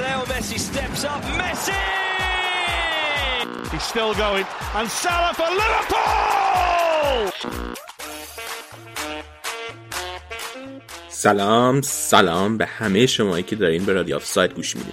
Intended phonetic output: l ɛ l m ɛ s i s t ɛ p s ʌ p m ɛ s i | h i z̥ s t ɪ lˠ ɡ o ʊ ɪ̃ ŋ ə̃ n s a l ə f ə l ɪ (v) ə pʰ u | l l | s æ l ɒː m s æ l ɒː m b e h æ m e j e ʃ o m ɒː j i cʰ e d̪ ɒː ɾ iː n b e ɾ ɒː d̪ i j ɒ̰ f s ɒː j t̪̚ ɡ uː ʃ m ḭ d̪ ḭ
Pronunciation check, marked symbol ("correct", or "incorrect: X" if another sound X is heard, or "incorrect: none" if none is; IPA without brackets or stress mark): correct